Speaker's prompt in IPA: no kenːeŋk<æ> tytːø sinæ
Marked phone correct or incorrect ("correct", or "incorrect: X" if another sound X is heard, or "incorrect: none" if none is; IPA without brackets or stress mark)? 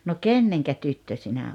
correct